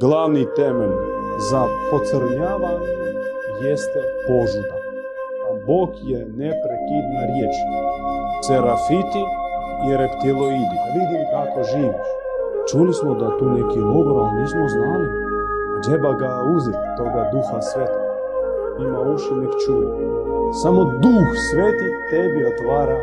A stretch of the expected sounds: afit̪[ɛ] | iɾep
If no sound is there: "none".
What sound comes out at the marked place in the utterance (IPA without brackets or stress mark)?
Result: i